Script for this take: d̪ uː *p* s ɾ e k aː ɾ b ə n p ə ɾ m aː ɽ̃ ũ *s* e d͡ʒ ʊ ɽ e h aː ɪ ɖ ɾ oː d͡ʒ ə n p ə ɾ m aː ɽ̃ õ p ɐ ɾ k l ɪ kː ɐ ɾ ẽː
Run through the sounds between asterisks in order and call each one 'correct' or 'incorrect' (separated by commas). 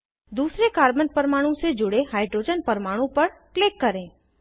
incorrect, correct